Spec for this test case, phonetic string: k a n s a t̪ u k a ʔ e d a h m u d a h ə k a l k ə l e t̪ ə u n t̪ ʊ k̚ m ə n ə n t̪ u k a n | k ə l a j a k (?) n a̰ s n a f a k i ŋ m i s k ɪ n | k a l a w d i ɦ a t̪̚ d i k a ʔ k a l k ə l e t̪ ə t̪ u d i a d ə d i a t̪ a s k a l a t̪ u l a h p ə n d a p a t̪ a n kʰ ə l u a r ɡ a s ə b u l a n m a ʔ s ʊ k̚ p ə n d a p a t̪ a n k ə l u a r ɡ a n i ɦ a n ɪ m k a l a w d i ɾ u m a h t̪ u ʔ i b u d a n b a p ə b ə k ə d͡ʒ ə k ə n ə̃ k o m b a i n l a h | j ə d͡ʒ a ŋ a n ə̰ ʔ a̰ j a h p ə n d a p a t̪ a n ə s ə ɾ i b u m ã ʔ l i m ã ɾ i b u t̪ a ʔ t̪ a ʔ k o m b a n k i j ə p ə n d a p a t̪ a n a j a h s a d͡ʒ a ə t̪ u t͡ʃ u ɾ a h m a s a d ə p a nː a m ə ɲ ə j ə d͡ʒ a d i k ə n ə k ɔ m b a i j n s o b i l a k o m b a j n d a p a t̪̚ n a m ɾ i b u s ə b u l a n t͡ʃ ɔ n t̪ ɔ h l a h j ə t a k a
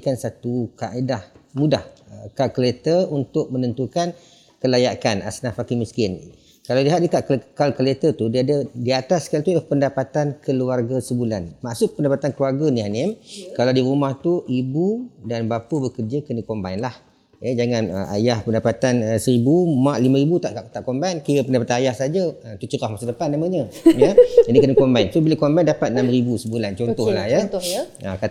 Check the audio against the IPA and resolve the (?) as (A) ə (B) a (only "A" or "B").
B